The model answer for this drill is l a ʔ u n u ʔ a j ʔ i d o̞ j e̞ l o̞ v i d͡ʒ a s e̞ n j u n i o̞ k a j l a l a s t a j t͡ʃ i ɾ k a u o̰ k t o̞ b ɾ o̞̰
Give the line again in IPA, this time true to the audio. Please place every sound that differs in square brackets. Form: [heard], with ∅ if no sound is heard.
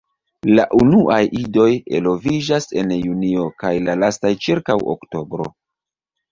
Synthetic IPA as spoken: l a ʔ u n u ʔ a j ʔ i d o̞ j e̞ l o̞ v i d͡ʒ a s e̞ n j u n i o̞ k a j l a l a s t a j t͡ʃ i ɾ k a [w] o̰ k t o̞ b ɾ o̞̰